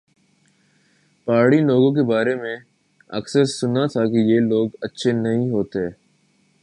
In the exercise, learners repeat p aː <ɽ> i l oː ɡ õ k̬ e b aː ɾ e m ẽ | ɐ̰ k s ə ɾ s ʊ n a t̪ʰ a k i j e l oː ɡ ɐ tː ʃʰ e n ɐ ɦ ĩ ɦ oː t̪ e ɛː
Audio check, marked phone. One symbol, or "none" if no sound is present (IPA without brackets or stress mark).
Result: ɽ